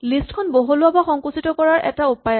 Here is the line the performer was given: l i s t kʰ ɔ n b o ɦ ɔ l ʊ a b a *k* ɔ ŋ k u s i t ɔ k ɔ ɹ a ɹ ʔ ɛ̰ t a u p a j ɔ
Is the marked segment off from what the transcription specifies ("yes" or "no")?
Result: yes